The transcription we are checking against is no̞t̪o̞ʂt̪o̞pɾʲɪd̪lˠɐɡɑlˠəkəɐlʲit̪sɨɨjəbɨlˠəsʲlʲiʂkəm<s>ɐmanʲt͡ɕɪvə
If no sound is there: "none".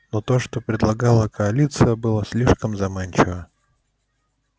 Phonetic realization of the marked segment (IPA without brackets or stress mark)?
z